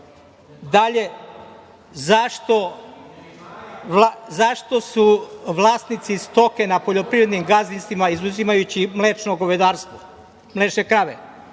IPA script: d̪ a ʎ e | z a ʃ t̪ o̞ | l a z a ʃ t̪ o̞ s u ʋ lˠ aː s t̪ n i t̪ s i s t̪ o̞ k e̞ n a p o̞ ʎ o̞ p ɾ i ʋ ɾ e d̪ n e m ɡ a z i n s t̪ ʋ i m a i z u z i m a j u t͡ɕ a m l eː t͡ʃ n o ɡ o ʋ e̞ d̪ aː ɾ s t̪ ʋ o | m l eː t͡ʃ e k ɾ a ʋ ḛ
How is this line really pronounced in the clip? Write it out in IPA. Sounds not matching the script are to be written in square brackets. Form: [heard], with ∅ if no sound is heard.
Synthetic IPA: d̪ a ʎ e | z a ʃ t̪ o̞ | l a z a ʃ t̪ o̞ s u ʋ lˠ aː s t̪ n i t̪ s i s t̪ o̞ k e̞ n a p o̞ ʎ o̞ p ɾ i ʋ ɾ e d̪ n [i] m ɡ a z i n s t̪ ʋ i m a i z u z i m a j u t͡ɕ [i] m l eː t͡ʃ n o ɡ o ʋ e̞ d̪ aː ɾ s t̪ ʋ o | m l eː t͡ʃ e k ɾ a ʋ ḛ